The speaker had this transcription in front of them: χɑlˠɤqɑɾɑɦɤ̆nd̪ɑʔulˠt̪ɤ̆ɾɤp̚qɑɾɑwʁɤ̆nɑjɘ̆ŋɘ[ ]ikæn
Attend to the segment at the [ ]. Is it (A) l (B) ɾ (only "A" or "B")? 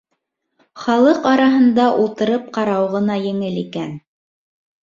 A